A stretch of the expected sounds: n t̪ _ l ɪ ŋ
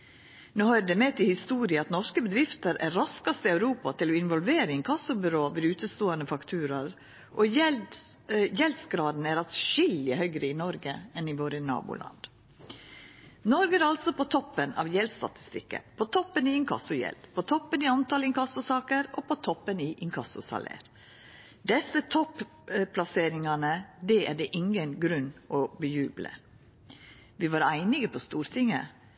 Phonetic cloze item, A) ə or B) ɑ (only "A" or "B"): B